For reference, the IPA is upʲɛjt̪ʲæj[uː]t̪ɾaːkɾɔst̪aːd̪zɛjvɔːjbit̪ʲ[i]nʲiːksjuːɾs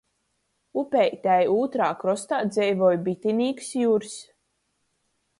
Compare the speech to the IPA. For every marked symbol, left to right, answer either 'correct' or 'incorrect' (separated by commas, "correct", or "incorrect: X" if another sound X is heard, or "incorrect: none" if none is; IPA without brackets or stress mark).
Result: correct, correct